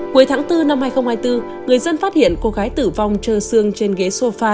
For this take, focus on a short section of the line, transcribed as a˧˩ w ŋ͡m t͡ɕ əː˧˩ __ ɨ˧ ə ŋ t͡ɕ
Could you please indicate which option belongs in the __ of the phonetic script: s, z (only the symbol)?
s